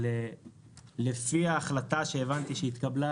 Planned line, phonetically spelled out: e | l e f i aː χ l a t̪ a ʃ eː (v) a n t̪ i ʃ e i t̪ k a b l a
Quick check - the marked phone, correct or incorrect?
correct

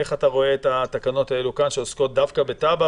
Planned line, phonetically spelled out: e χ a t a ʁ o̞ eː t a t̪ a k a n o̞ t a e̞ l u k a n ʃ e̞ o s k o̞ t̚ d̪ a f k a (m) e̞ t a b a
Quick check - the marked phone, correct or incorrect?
incorrect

